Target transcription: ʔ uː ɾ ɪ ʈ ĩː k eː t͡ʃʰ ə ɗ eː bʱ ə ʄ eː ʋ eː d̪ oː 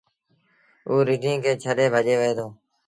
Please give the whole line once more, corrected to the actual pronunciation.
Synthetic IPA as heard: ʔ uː ɾ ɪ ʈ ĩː k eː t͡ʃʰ ə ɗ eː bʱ ə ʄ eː ʋ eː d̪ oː